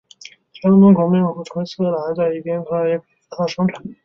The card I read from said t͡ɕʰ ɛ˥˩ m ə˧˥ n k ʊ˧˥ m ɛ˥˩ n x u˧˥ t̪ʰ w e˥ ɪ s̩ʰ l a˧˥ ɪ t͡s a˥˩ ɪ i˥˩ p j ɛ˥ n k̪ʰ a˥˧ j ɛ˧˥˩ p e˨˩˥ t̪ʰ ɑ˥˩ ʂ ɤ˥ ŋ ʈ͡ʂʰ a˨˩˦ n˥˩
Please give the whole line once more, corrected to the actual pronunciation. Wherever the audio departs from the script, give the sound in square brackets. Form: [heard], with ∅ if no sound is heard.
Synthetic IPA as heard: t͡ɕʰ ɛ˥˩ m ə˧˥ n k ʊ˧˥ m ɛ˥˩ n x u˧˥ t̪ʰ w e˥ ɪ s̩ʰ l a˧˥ ɪ t͡s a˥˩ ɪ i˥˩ p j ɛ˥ n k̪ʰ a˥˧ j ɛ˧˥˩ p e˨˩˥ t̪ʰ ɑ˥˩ ʂ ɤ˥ ŋ ʈ͡ʂʰ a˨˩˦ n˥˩